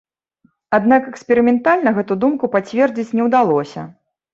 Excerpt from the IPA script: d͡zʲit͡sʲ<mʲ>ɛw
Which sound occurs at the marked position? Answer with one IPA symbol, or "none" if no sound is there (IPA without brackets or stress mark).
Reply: nʲ